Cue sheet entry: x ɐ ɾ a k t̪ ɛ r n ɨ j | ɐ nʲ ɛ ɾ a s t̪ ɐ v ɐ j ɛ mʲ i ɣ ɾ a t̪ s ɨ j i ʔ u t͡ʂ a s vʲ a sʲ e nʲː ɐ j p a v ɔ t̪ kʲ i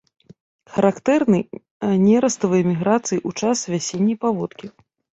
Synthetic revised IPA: x ɐ ɾ a k t̪ ɛ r n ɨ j | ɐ nʲ ɛ ɾ ɐ s t̪ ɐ v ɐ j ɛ mʲ i ɣ ɾ a t̪ s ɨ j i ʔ u t͡ʂ a s vʲ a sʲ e nʲː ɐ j p a v ɔ t̪ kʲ i